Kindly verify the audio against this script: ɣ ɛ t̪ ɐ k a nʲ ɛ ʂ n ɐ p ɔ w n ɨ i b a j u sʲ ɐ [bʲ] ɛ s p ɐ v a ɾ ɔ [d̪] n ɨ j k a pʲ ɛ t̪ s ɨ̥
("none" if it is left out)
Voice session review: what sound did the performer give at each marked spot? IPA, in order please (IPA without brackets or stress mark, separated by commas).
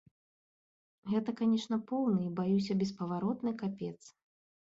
bʲ, t̪